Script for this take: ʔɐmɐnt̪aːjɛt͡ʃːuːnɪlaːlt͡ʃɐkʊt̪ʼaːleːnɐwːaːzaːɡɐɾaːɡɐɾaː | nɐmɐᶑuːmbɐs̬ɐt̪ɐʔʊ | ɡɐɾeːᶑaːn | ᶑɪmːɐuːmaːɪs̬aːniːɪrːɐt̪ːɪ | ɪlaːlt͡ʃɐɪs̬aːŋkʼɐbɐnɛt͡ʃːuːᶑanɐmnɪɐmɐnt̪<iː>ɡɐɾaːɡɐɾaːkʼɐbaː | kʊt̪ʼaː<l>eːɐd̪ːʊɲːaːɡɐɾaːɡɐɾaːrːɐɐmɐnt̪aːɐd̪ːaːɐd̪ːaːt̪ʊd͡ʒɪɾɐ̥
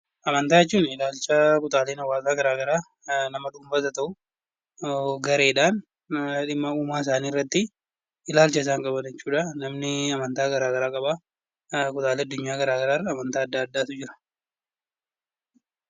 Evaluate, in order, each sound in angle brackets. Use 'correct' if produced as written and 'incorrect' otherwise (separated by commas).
incorrect, correct